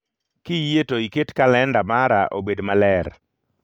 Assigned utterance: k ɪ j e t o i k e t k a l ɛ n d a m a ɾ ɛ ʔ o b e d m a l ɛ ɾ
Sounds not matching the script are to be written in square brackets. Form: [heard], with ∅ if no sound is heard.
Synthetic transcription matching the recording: k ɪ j e t o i k e t k a l ɛ n d a m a ɾ [a] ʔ o b e d m a l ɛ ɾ